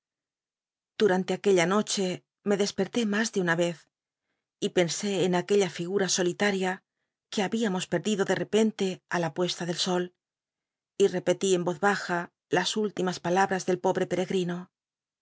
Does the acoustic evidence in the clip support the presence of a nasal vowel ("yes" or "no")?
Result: no